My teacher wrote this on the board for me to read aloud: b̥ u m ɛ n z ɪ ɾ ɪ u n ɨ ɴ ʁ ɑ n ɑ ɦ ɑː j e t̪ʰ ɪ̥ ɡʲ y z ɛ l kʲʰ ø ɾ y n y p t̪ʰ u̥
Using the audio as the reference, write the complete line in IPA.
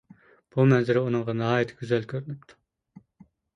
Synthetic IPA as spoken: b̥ u m ɛ n z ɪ ɾ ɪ u n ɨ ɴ ʁ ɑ n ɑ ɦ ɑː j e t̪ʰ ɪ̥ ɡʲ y z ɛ l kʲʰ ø ɾ y n y p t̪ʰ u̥

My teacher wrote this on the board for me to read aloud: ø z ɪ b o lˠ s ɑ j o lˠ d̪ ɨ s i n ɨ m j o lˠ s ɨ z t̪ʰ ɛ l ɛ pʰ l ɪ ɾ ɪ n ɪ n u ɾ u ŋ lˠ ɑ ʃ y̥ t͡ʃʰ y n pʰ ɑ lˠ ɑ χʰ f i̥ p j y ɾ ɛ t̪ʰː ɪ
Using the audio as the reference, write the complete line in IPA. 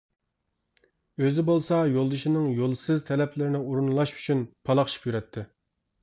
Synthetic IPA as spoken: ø z ɪ b o lˠ s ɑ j o lˠ d̪ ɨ ʃ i n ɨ ŋ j o lˠ s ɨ z t̪ʰ ɛ l ɛ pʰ l ɪ ɾ ɪ n ɪ u ɾ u n lˠ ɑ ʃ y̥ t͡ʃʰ y n pʰ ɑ lˠ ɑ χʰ ʃ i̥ p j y ɾ ɛ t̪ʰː ɪ

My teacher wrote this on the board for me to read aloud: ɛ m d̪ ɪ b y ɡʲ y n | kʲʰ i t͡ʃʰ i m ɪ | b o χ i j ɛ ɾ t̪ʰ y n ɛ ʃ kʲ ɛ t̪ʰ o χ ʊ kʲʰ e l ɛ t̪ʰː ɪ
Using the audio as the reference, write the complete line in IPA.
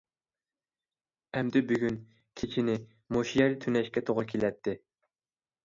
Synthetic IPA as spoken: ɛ m d̪ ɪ b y ɡʲ y n | kʲʰ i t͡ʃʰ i n ɪ | m o ʃ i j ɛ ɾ t̪ʰ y n ɛ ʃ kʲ ɛ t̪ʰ o ʁ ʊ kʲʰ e l ɛ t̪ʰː ɪ

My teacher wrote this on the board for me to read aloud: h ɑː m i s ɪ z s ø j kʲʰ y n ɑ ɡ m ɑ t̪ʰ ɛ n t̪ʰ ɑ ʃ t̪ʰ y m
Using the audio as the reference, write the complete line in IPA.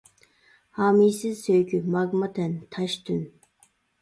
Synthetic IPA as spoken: h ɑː m i s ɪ z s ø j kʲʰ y m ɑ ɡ m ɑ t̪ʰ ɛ n t̪ʰ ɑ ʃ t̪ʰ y n

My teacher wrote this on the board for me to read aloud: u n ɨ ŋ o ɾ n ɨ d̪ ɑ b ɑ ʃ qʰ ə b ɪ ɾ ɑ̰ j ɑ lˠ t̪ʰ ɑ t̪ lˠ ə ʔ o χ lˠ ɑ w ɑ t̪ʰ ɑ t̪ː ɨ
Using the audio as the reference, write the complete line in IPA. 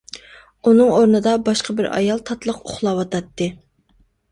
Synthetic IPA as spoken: u n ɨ ŋ o ɾ n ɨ d̪ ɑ b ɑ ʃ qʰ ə b ɪ ɾ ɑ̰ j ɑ lˠ t̪ʰ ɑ t̪ lˠ ə q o χ lˠ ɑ w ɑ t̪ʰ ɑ t̪ː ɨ

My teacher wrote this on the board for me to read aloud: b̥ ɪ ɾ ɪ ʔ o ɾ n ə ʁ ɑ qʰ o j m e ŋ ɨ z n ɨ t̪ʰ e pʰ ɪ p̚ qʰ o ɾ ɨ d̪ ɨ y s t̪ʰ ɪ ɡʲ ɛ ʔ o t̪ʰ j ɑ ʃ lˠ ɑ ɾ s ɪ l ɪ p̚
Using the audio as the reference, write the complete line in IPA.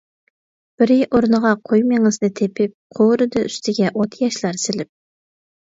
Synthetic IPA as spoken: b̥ ɪ ɾ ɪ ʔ o ɾ n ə ʁ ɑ qʰ o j m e ŋ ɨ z n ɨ t̪ʰ e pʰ ɪ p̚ qʰ o ɾ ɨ d̪ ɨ y s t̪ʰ ɪ ɡʲ ɛ ʔ o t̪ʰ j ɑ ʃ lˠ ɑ ɾ s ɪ l ɪ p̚

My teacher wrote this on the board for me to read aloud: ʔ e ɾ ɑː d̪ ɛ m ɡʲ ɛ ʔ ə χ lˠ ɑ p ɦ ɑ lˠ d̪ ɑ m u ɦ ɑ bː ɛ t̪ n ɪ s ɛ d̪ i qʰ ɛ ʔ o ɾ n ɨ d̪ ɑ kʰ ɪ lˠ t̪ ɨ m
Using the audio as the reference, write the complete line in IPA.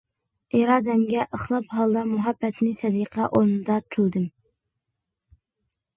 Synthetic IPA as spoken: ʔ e ɾ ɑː d̪ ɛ m ɡʲ ɛ ʔ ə χ lˠ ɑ p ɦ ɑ lˠ d̪ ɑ m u ɦ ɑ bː ɛ t̪ n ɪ s ɛ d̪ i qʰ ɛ ʔ o ɾ n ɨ d̪ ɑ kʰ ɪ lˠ d̪ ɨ m

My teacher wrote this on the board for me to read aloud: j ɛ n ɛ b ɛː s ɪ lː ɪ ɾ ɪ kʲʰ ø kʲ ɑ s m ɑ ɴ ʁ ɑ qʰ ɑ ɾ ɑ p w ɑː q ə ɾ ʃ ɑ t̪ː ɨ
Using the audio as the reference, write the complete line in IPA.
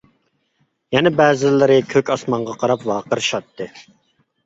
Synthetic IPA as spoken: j ɛ n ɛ b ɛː z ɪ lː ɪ ɾ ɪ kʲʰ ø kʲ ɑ s m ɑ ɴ ʁ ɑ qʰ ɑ ɾ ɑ p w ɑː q ə ɾ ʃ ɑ t̪ː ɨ

